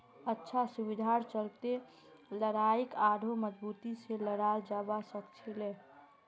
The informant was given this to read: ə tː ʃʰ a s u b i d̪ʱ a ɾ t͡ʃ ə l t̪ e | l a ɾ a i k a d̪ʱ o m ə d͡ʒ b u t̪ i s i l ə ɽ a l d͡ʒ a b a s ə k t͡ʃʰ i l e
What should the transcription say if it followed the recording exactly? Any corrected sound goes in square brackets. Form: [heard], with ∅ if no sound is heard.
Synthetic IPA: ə tː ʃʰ a s u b i d̪ʱ a ɾ t͡ʃ ə l t̪ e | l [ə] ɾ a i k a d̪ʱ o m ə d͡ʒ b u t̪ i s [e] l ə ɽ a l d͡ʒ a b a s ə k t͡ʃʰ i l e